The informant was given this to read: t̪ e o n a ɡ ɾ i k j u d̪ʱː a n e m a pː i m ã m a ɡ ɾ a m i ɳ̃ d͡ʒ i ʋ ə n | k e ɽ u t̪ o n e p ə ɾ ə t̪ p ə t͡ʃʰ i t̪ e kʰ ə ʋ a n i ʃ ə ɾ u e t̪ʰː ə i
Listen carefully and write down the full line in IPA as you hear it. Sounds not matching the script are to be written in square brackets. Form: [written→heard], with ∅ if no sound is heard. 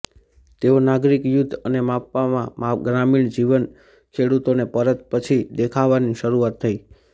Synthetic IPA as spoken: t̪ e o n a ɡ ɾ i k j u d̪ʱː [a→ə] n e m a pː [i→a] m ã m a ɡ ɾ a m i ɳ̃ d͡ʒ i ʋ ə n | [k→kʰ] e ɽ u t̪ o n e p ə ɾ ə t̪ p ə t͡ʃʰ i [t̪→d̪] e kʰ [ə→a] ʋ a n i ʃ ə ɾ u [e→a] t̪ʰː ə i